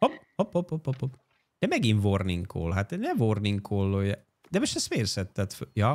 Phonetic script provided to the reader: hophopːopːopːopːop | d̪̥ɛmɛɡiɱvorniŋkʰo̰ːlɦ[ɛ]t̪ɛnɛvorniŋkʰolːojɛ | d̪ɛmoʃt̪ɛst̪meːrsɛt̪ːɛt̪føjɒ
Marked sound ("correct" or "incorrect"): incorrect